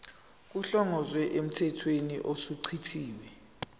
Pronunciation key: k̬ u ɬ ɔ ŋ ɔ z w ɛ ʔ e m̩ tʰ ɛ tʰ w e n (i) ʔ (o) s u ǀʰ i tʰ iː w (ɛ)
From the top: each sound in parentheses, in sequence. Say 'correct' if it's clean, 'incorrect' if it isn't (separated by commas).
correct, correct, correct